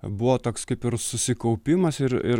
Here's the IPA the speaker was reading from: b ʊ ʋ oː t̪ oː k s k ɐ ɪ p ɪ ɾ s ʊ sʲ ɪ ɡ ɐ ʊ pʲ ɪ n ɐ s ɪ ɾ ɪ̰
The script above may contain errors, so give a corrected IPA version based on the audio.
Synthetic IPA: b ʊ ʋ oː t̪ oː k s k ɐ ɪ p ɪ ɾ s ʊ sʲ ɪ k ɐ ʊ pʲ ɪ m ɐ s ɪ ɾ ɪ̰

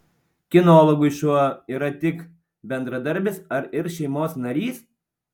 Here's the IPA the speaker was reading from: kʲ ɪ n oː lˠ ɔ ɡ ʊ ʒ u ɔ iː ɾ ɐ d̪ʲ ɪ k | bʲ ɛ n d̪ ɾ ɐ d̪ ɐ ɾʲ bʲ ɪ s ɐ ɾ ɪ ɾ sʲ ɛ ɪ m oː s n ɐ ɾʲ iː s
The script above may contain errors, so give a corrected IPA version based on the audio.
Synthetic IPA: kʲ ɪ n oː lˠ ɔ ɡ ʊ ʃ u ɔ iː ɾ ɐ t̪ʲ ɪ k | bʲ ɛ n d̪ ɾ ɐ d̪ ɐ ɾʲ bʲ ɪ s ɐ ɾ ɪ ɾ ʃʲ ɛ ɪ m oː s n ɐ ɾʲ iː s

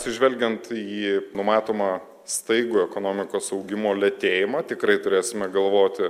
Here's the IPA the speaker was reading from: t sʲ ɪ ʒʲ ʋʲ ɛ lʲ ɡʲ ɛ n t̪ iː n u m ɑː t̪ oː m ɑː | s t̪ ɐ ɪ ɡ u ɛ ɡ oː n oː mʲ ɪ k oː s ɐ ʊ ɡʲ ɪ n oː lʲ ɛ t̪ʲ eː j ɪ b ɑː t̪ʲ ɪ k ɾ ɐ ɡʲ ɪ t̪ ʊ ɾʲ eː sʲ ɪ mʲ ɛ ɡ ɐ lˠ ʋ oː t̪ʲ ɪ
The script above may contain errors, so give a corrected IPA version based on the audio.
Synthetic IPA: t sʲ ɪ ʒʲ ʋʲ ɛ lʲ ɡʲ ɛ n t̪ iː n ʊ m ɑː t̪ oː m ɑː | s t̪ ɐ ɪ ɡ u ɛ k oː n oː mʲ ɪ k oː s ɐ ʊ ɡʲ ɪ m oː lʲ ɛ t̪ʲ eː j ɪ m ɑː t̪ʲ ɪ k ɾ ɐ ɪ t̪ ʊ ɾʲ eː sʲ ɪ mʲ ɛ ɡ ɐ lˠ ʋ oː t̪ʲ ɪ

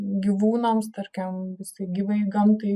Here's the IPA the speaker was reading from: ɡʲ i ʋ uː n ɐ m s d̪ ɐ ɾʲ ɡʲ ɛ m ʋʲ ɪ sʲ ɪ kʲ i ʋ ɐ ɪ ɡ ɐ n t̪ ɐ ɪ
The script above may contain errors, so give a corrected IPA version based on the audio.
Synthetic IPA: ɡʲ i ʋ uː n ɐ m s t̪ ɐ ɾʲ kʲ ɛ m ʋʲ ɪ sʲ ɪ ɡʲ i ʋ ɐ ɪ ɡ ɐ m t̪ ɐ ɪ

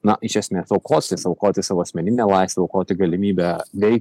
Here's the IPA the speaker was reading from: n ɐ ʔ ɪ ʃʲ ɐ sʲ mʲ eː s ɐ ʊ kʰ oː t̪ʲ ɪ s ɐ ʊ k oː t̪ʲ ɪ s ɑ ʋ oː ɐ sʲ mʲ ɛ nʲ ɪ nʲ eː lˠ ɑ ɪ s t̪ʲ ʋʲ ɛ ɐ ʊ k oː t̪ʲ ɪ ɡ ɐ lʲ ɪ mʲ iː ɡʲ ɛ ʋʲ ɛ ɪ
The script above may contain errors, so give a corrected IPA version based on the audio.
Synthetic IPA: n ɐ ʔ ɪ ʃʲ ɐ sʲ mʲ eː s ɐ ʊ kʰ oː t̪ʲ ɪ s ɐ ʊ k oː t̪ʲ ɪ s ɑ ʋ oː ɐ sʲ mʲ ɛ nʲ ɪ nʲ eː lˠ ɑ ɪ s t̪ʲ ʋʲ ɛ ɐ ʊ k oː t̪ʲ ɪ ɡ ɐ lʲ ɪ mʲ iː bʲ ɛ ʋʲ ɛ ɪ

